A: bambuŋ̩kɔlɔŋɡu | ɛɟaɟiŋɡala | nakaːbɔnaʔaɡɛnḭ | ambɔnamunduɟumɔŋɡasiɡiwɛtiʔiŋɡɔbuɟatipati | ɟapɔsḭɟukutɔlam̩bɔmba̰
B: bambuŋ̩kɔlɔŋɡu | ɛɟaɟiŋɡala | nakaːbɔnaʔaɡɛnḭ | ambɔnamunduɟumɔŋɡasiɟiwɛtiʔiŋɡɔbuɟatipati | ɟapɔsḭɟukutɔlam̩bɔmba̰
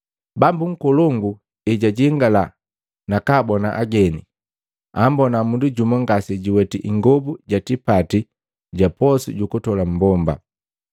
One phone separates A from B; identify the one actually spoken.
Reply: B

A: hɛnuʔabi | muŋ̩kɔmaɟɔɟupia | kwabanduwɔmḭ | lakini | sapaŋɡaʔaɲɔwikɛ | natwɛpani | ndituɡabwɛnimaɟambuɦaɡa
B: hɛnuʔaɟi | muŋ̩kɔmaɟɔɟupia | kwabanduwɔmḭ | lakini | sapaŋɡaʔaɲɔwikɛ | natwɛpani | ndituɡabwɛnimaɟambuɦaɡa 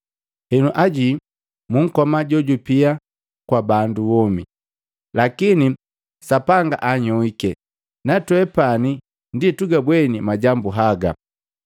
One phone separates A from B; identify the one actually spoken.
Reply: B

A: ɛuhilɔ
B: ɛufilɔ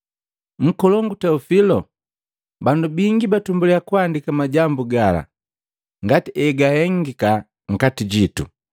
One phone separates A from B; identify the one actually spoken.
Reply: B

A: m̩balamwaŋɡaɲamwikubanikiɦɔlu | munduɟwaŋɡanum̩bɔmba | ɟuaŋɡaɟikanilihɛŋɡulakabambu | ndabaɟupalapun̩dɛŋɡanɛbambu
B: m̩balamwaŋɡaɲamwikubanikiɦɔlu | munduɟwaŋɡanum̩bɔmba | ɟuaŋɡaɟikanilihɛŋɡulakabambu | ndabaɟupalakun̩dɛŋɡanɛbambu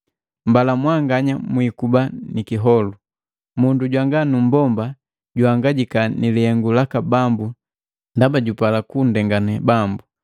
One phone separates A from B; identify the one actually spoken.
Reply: B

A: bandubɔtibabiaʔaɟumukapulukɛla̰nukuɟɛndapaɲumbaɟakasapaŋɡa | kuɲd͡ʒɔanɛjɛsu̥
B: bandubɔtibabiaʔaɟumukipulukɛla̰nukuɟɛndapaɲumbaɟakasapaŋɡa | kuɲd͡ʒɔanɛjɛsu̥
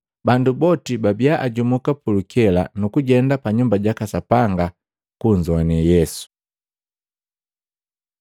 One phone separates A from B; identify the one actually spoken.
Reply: A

